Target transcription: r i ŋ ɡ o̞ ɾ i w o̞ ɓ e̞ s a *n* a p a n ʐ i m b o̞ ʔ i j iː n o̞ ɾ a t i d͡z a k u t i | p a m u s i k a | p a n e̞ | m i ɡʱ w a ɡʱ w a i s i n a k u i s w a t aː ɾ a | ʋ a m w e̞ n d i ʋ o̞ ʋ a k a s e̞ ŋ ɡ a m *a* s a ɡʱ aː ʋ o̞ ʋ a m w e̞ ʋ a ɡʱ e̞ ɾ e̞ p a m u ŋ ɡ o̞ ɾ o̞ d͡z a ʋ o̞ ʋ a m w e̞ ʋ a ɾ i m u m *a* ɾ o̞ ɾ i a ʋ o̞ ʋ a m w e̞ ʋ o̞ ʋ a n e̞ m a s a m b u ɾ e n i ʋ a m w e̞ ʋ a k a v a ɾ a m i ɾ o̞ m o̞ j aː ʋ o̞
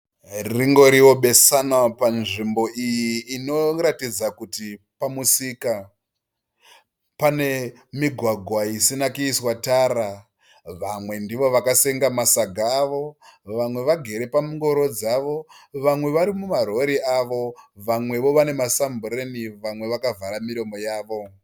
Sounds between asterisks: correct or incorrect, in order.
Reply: correct, correct, correct

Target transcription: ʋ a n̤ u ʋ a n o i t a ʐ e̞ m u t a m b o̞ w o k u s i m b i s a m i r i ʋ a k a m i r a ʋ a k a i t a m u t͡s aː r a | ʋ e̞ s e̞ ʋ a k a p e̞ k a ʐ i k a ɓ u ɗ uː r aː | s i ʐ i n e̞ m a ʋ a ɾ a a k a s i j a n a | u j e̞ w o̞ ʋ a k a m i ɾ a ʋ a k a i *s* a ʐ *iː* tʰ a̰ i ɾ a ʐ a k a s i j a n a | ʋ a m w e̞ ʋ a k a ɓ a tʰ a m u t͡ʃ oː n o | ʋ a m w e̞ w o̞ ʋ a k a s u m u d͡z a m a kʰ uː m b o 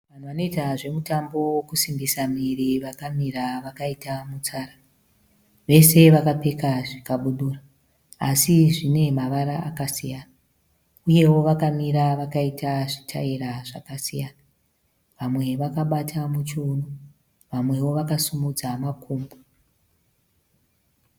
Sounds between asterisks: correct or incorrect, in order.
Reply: incorrect: t, incorrect: i

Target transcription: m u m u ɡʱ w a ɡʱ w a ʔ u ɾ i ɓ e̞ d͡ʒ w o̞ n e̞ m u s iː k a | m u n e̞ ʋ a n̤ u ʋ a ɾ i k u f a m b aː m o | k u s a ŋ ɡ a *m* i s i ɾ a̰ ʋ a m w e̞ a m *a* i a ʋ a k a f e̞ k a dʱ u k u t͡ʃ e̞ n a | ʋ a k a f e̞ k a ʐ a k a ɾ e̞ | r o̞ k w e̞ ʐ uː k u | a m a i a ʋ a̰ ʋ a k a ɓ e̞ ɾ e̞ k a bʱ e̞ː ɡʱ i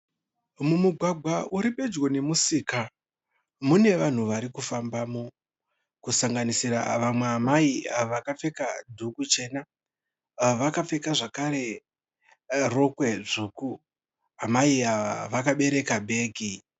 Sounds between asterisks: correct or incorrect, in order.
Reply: incorrect: n, correct

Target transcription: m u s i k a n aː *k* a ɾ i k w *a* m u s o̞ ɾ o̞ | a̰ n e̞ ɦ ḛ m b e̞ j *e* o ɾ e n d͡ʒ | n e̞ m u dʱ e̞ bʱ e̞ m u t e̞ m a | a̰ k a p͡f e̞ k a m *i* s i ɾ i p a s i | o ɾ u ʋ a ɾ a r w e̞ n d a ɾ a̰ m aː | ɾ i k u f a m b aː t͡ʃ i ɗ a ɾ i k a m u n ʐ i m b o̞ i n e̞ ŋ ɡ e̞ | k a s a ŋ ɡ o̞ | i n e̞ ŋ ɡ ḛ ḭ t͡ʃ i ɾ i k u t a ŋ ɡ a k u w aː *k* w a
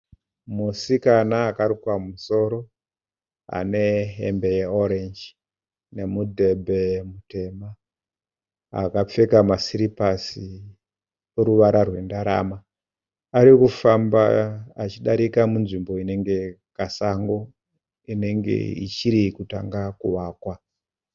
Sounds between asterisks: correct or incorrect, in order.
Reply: correct, correct, correct, incorrect: a, correct

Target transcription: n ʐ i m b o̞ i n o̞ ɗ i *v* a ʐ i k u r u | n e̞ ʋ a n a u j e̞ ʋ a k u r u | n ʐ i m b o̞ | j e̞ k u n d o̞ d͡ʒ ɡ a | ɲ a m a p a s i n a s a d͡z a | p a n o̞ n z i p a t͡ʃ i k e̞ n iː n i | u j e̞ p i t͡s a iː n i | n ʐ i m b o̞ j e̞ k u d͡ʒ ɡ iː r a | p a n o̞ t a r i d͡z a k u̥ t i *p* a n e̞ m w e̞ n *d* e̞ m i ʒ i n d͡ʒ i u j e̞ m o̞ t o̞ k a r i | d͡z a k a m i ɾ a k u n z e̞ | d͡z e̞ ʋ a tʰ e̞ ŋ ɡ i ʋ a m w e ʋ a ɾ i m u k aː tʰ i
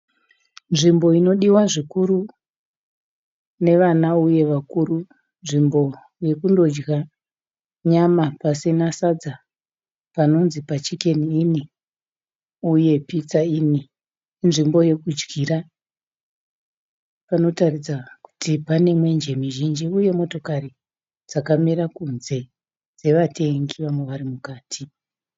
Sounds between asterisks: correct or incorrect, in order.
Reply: incorrect: w, correct, incorrect: d͡ʒ

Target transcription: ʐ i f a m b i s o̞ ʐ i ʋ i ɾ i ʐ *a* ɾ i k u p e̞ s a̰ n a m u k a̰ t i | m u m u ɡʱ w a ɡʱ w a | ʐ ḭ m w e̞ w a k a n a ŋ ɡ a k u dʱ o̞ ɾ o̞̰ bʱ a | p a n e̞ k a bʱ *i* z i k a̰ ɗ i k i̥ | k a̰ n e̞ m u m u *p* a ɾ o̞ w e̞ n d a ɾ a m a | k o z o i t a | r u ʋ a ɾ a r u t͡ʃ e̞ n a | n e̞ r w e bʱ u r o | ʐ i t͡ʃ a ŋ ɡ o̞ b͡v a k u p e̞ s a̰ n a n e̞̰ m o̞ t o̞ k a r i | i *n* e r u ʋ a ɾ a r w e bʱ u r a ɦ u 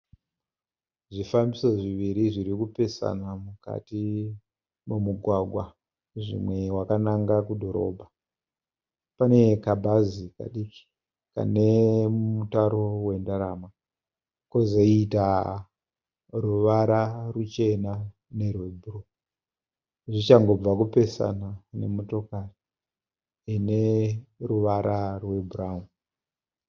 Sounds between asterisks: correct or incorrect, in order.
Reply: incorrect: i, incorrect: a, incorrect: t, correct

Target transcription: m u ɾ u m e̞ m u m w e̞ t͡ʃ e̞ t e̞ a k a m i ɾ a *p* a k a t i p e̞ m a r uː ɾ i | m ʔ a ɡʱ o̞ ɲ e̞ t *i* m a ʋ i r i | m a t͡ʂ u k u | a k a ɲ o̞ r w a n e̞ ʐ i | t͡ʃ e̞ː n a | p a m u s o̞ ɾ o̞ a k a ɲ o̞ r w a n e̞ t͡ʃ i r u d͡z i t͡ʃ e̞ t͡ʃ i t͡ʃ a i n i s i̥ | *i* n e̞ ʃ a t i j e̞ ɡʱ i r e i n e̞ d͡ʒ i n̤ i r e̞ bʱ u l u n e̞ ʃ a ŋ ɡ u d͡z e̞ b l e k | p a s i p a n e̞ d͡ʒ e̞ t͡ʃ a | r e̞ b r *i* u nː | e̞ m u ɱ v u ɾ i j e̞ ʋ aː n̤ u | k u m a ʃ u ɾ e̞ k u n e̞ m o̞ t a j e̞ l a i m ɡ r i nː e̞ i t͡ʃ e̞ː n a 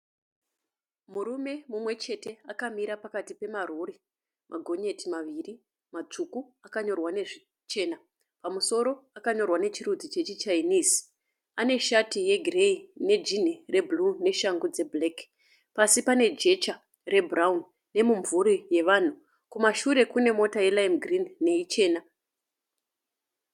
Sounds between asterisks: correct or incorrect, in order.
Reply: correct, correct, incorrect: a, incorrect: a

